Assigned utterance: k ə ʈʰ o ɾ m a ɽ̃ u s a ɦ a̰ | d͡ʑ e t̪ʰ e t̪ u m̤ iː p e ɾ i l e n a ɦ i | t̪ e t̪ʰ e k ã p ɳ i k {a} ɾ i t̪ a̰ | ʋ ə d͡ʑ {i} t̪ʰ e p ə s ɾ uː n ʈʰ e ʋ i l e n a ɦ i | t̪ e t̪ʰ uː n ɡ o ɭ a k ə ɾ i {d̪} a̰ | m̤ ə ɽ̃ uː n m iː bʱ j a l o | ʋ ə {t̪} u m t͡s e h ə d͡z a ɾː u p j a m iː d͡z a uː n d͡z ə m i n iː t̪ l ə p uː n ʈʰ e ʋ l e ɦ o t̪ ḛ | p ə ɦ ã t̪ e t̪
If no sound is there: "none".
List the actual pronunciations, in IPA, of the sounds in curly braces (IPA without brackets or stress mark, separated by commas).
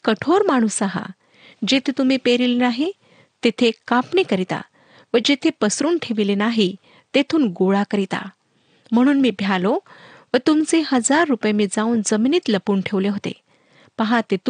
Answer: ə, e, t̪, t̪